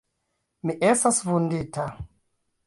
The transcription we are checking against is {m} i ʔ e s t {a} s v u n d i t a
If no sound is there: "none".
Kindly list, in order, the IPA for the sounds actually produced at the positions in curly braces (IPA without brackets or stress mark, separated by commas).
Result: m, a